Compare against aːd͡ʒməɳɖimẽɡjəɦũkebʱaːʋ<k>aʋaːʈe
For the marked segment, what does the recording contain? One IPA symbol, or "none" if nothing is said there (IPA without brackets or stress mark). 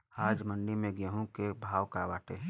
k